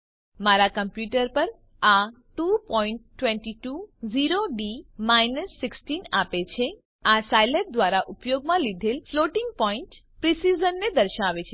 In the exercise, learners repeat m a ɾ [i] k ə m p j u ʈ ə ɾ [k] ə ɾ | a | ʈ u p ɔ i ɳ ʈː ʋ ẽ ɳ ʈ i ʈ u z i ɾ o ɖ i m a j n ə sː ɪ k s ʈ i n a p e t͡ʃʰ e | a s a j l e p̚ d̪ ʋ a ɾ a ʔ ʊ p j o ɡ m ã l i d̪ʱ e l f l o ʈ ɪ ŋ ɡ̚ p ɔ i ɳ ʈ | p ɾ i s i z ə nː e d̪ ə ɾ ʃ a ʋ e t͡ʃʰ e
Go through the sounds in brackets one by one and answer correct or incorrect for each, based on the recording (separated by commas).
incorrect, incorrect